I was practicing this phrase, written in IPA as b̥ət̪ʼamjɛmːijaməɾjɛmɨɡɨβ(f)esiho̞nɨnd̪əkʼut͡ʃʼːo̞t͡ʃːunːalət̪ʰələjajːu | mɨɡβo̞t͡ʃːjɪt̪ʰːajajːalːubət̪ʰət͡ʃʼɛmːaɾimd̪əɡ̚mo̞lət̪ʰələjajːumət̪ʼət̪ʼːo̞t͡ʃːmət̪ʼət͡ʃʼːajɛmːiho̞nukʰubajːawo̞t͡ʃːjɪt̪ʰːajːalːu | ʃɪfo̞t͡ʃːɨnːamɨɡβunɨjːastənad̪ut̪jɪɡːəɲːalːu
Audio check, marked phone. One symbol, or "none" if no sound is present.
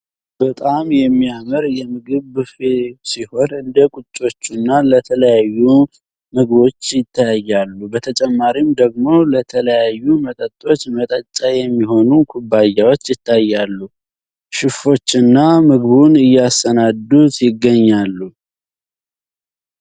f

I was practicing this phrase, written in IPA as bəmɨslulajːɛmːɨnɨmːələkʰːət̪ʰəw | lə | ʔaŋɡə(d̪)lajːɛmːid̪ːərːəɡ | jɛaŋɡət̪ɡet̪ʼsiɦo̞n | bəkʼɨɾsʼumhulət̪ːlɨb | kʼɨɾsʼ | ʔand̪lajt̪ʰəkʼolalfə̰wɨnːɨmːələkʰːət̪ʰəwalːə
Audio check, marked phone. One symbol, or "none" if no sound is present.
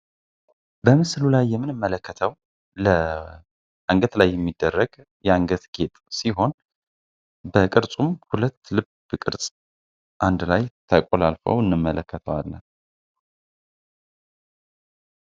t̪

